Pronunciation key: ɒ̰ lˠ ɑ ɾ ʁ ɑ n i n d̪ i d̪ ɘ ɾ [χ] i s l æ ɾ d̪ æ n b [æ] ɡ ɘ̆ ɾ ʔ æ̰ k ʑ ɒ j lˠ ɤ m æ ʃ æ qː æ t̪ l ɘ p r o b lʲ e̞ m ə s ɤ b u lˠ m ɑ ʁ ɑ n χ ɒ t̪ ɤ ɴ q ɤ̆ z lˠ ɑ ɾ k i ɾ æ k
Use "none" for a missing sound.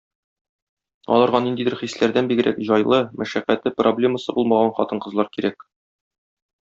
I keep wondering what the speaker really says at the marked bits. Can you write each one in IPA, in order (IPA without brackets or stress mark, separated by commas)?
χ, i